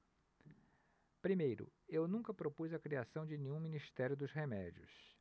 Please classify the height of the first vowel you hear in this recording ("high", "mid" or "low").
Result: high